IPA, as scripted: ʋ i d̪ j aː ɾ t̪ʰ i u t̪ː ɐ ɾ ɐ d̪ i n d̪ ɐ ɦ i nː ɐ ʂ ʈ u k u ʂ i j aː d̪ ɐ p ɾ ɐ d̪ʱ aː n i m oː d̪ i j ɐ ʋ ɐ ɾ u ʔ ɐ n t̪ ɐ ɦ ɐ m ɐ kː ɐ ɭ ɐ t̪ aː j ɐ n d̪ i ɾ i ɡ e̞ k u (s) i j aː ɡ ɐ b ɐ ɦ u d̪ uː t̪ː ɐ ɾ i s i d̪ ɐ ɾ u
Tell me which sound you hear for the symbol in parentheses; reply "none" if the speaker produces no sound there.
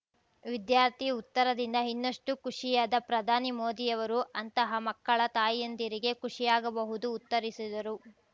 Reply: ʂ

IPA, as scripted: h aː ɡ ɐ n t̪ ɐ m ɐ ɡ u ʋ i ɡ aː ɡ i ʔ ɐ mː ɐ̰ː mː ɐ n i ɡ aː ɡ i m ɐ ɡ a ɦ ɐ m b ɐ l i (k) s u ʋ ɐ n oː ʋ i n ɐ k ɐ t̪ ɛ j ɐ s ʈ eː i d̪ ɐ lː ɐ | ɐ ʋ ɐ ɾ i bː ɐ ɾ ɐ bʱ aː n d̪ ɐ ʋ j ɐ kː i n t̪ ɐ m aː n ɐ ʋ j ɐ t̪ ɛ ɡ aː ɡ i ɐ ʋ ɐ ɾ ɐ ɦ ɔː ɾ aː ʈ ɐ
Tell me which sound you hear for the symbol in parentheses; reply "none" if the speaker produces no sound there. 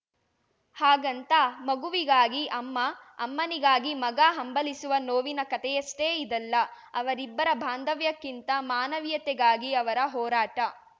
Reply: none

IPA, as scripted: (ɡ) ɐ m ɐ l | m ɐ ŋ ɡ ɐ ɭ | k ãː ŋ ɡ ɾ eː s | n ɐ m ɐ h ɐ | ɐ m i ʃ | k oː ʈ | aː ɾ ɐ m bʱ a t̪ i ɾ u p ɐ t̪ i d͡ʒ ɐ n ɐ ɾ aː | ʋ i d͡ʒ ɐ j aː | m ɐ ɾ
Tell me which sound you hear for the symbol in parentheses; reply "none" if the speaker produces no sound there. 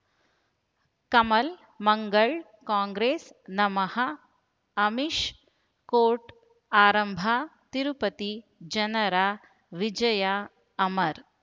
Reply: k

